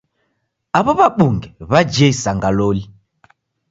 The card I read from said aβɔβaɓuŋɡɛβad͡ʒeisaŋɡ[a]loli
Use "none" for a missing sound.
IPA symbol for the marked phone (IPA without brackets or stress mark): a